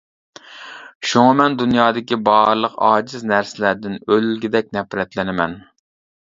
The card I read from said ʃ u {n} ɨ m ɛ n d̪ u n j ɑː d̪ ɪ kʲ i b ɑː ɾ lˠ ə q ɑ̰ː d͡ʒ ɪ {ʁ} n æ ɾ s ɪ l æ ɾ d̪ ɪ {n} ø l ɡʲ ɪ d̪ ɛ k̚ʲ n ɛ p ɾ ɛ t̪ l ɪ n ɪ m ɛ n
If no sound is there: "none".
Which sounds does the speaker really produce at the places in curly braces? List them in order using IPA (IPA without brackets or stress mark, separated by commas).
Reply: ŋ, z, n